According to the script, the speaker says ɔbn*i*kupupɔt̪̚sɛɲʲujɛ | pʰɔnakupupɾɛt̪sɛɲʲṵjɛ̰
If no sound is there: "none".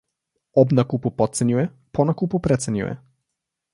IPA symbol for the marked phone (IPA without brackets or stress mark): a